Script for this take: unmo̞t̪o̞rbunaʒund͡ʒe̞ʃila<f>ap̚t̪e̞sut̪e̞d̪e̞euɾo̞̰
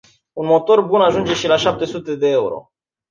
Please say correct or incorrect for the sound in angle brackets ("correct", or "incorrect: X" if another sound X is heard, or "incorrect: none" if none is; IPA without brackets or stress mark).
incorrect: ʃ